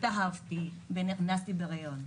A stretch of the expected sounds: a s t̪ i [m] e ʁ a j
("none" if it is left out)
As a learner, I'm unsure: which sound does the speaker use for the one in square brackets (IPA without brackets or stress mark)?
b